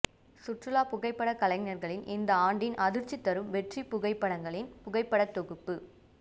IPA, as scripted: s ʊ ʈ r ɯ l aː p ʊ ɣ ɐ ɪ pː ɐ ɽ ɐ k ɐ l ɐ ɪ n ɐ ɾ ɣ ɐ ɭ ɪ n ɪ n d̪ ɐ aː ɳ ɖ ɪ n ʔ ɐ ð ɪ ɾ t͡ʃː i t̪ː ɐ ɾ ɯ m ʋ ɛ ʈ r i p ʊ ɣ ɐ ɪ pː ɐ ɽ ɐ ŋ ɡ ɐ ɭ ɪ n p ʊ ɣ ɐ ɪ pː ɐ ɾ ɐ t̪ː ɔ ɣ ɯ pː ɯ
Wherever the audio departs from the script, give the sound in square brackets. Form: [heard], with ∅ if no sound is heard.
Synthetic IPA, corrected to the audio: s ʊ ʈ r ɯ l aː p ʊ ɣ ɐ ɪ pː ɐ ɽ ɐ k ɐ l ɐ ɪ n ɐ ɾ ɣ ɐ ɭ ɪ n ɪ n d̪ ɐ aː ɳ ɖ ɪ n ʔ ɐ ð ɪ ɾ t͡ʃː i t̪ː ɐ ɾ ɯ m ʋ ɛ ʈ r i p ʊ ɣ ɐ ɪ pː ɐ ɽ ɐ ŋ ɡ ɐ ɭ ɪ n p ʊ ɣ ɐ ɪ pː ɐ [ɽ] ɐ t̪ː ɔ ɣ ɯ pː ɯ